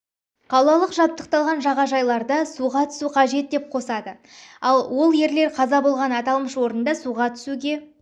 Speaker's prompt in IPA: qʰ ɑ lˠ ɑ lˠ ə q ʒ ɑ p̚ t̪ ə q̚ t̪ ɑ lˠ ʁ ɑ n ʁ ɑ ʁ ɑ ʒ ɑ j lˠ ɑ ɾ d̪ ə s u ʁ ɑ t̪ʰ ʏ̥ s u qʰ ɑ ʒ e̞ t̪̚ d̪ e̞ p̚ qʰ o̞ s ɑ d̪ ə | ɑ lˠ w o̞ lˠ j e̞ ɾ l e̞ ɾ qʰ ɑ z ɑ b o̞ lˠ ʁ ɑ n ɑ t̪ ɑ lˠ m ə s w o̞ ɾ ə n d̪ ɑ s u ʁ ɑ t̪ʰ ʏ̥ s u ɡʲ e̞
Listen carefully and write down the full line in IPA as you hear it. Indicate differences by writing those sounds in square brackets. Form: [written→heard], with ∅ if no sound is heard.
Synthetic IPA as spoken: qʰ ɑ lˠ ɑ lˠ ə q ʒ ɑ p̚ t̪ ə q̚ t̪ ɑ lˠ ʁ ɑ n [ʁ→ʒ] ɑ ʁ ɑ ʒ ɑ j lˠ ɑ ɾ d̪ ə s u ʁ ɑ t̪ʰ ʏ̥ s u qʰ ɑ ʒ e̞ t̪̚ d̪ e̞ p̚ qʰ o̞ s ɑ d̪ ə | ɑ lˠ w o̞ lˠ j e̞ ɾ l e̞ ɾ qʰ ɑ z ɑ b o̞ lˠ ʁ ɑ n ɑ t̪ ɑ lˠ m ə [s→ʃ] w o̞ ɾ ə n d̪ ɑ s u ʁ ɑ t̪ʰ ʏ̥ s u ɡʲ e̞